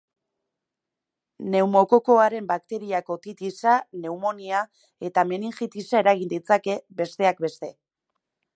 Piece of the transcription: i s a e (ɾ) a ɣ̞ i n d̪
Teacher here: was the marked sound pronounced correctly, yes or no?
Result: yes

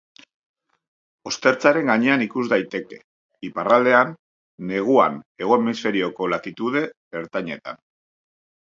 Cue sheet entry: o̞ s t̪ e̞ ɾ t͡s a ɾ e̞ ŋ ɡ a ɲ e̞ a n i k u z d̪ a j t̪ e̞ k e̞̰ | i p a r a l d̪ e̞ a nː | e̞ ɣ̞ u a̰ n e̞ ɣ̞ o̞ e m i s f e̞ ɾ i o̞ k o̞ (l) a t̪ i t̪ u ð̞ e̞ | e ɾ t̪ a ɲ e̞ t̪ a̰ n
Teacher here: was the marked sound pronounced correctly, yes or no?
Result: yes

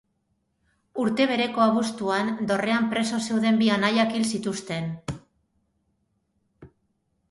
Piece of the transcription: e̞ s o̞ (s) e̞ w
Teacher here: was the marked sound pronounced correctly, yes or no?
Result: yes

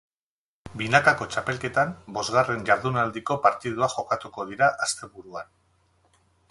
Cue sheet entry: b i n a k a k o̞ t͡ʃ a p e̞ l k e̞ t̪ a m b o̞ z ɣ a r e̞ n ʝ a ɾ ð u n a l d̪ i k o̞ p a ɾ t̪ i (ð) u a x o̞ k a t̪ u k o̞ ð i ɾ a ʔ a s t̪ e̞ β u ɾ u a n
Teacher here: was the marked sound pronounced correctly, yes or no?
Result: yes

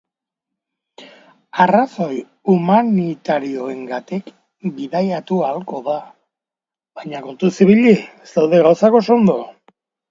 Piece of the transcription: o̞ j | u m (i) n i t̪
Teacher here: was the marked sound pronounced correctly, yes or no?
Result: no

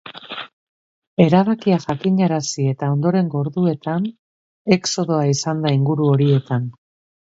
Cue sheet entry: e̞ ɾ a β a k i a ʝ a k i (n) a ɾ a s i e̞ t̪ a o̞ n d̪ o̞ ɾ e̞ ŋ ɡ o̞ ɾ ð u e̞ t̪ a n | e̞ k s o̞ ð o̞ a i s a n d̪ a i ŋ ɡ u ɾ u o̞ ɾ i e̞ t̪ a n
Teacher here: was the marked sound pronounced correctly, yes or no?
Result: no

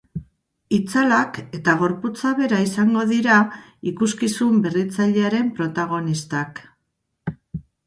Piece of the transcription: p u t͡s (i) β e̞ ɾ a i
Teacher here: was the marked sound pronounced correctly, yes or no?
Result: no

